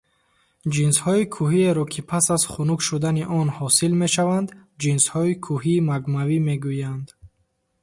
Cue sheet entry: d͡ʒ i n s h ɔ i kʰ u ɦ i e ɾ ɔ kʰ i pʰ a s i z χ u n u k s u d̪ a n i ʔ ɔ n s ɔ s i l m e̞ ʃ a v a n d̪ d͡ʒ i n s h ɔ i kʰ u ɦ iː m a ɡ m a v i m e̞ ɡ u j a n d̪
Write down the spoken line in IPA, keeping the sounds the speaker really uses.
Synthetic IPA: d͡ʒ i n s h ɔ i kʰ u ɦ i e ɾ ɔ kʰ i pʰ a s a z χ u n u k ʃ u d̪ a n i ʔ ɔ n h ɔ s i l m e̞ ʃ a v a n d̪ d͡ʒ i n s h ɔ i kʰ u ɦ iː m a ɡ m a v i m e̞ ɡ u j a n d̪

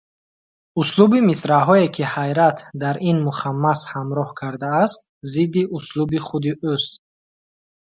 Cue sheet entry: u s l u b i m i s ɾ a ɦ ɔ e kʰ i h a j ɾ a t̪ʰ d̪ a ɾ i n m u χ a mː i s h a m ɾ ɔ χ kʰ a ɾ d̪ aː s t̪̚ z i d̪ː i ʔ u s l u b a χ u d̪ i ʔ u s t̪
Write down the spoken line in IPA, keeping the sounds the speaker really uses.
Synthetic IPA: u s l u b i m i s ɾ a ɦ ɔ e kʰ i h a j ɾ a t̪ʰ d̪ a ɾ i n m u χ a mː a s h a m ɾ ɔ h kʰ a ɾ d̪ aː s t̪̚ z i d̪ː i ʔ u s l u b i χ u d̪ i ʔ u s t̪

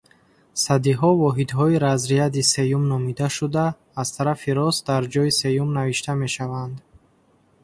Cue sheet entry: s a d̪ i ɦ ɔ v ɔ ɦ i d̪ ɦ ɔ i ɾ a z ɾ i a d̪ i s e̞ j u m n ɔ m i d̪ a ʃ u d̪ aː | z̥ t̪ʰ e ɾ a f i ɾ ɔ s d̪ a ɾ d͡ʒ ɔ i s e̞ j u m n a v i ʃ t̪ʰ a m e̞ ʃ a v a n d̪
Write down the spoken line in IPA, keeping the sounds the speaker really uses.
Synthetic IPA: s a d̪ i ɦ ɔ v ɔ ɦ i d̪ ɦ ɔ i ɾ a z ɾ i a d̪ i s e̞ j u m n ɔ m i d̪ a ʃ u d̪ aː | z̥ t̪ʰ a ɾ a f i ɾ ɔ s d̪ a ɾ d͡ʒ ɔ i s e̞ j u m n a v i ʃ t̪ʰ a m e̞ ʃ a v a n d̪

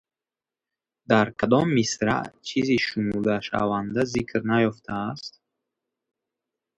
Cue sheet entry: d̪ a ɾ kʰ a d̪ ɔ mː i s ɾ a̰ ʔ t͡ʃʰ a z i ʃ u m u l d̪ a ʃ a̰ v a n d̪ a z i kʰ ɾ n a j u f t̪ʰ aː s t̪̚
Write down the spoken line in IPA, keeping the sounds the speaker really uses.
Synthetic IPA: d̪ a ɾ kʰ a d̪ ɔ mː i s ɾ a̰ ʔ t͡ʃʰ i z i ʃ u m u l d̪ a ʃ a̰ v a n d̪ a z i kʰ ɾ n a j ɔ f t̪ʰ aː s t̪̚

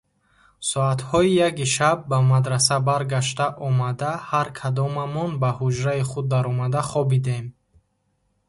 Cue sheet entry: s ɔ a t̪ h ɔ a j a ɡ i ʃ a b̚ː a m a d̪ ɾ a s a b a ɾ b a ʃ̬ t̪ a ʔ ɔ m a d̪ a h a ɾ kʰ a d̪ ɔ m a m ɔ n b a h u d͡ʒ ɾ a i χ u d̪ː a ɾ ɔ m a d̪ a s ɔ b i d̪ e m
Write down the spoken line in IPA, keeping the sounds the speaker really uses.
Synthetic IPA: s ɔ a t̪ h ɔ i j a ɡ i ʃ a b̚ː a m a d̪ ɾ a s a b a ɾ ɡ a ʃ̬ t̪ a ʔ ɔ m a d̪ a h a ɾ kʰ a d̪ ɔ m a m ɔ n b a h u d͡ʒ ɾ a i χ u d̪ː a ɾ ɔ m a d̪ a χ ɔ b i d̪ e m

